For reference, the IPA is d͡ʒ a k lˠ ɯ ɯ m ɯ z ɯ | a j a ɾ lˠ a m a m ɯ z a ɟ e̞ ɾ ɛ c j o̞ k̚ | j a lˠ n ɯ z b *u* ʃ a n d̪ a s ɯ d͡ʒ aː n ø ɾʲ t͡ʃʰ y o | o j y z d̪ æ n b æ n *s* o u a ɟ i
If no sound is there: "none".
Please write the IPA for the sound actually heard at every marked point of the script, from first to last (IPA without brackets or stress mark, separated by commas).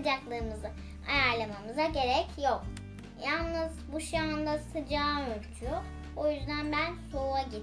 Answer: u, s